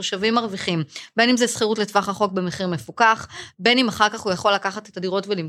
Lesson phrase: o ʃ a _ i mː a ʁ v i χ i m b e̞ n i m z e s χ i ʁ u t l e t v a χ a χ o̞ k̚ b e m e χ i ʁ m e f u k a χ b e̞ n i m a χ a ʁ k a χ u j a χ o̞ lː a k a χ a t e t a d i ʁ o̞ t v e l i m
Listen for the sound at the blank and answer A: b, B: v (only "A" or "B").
B